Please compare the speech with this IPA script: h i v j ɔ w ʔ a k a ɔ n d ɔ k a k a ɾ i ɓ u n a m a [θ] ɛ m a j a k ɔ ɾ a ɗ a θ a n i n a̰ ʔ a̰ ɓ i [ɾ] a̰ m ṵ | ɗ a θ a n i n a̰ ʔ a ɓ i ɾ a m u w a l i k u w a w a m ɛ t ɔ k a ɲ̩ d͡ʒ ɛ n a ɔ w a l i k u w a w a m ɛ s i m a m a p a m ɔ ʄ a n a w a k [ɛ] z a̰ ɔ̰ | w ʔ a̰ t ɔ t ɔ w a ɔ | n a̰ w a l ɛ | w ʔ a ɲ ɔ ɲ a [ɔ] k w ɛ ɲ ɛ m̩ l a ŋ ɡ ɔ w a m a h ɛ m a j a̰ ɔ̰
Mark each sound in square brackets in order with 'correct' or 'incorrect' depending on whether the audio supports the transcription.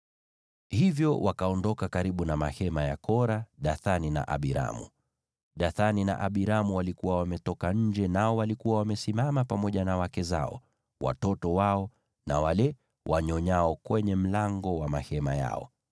incorrect, correct, correct, correct

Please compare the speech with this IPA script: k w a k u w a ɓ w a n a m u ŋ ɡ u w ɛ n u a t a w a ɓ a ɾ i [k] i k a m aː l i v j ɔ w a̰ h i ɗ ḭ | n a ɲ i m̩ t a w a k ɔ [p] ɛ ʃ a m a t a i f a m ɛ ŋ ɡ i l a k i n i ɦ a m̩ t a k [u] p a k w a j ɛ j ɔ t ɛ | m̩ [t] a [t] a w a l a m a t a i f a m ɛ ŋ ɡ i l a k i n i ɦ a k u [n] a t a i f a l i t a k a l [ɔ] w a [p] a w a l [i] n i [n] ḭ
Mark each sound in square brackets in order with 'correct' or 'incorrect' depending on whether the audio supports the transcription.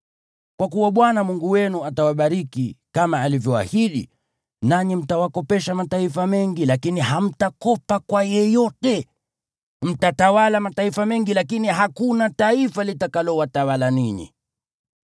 correct, correct, incorrect, correct, correct, correct, correct, incorrect, incorrect, incorrect

